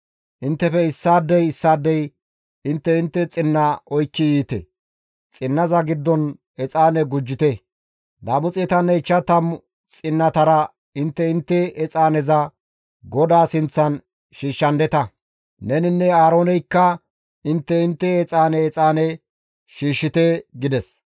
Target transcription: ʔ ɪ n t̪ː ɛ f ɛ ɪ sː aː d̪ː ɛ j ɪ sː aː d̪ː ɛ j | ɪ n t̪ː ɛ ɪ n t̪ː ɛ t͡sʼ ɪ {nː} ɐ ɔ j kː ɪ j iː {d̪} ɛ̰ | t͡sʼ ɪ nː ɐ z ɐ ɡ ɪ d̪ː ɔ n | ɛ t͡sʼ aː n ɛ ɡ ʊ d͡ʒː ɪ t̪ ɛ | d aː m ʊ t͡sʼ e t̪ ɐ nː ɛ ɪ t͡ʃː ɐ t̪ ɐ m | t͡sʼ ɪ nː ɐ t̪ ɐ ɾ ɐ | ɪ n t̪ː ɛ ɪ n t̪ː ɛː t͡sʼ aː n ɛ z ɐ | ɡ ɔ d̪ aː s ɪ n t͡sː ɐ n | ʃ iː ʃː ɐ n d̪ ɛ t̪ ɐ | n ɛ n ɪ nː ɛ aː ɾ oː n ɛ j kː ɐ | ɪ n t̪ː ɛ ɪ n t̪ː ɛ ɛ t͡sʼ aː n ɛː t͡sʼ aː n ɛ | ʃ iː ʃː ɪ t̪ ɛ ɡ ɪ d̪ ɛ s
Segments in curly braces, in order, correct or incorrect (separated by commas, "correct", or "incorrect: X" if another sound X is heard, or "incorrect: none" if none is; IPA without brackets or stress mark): correct, incorrect: t̪